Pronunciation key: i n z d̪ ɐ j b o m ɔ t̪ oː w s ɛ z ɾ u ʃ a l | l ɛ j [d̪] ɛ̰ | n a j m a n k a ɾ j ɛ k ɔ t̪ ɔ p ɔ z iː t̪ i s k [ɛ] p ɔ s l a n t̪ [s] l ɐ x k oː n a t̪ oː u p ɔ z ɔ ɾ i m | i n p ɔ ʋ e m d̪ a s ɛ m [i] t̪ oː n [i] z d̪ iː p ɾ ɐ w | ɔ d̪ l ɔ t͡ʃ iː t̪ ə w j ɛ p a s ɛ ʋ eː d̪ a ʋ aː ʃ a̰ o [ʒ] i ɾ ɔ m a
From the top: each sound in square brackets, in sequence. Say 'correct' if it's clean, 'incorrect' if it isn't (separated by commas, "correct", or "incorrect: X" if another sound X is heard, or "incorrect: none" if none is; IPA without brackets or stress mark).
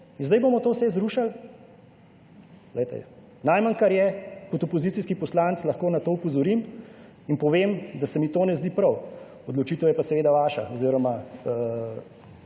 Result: incorrect: t̪, incorrect: i, correct, correct, incorrect: ɛ, incorrect: z